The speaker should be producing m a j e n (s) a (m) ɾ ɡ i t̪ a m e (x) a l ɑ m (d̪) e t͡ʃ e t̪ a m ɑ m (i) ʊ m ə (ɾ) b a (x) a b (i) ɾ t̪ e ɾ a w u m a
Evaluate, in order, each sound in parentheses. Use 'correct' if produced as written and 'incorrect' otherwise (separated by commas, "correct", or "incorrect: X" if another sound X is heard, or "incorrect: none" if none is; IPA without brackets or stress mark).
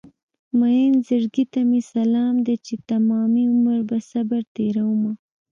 incorrect: z, incorrect: none, incorrect: s, correct, correct, correct, incorrect: s, incorrect: a